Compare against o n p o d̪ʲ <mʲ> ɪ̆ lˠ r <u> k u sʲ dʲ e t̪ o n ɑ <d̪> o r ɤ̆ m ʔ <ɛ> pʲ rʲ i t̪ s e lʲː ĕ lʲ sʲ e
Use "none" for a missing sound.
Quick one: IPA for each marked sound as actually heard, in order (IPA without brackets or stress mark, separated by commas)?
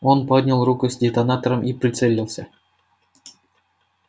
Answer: nʲ, u, t̪, i